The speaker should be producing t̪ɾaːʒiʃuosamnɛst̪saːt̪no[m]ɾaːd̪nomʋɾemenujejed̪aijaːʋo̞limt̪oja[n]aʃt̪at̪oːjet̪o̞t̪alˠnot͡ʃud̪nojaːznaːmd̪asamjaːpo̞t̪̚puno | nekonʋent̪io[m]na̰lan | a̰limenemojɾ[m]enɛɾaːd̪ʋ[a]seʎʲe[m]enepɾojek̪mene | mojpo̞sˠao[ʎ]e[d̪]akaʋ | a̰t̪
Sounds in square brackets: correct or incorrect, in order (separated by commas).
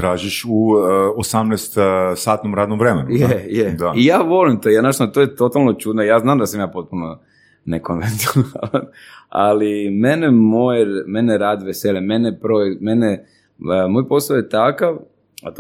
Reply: correct, correct, incorrect, correct, incorrect, correct, incorrect, incorrect